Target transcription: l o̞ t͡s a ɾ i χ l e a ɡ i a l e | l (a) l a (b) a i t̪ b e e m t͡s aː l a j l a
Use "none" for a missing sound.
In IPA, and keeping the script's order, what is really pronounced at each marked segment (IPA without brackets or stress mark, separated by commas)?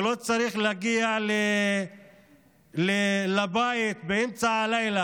e, b